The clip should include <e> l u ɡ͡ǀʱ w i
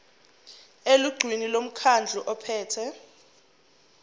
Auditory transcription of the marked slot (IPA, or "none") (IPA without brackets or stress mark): e